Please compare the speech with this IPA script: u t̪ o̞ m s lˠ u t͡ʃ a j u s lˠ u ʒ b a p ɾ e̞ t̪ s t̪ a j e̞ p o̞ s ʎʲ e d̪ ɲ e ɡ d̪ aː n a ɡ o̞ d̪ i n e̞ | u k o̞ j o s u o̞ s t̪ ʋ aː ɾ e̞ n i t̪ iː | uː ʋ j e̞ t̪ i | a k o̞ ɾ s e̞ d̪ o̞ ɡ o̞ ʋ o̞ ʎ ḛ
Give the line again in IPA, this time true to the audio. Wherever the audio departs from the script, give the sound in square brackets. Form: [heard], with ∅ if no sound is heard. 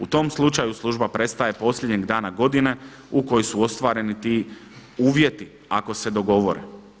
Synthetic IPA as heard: u t̪ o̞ m s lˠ u t͡ʃ a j u s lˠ u ʒ b a p ɾ e̞ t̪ s t̪ a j e̞ p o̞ s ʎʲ e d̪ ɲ e ɡ d̪ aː n a ɡ o̞ d̪ i n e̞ | u k o̞ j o s u o̞ s t̪ ʋ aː ɾ e̞ n i t̪ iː | uː ʋ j e̞ t̪ i | a k o̞ [∅] s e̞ d̪ o̞ ɡ o̞ ʋ o̞ [ɾ] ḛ